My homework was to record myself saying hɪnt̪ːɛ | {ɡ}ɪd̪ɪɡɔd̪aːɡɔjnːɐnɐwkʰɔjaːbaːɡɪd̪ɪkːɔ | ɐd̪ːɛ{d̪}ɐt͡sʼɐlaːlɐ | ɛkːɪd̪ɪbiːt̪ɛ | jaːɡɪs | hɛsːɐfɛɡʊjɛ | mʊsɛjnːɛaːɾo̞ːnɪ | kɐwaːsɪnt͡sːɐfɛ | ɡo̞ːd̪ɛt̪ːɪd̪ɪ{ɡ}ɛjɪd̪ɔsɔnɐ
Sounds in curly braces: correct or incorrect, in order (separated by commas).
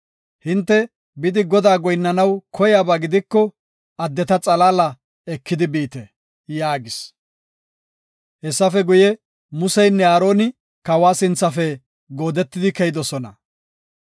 incorrect, incorrect, incorrect